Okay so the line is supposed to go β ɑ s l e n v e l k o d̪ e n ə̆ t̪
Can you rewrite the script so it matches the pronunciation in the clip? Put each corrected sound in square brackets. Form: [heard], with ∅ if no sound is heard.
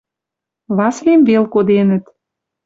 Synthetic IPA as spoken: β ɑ s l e [m] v e l k o d̪ e n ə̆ t̪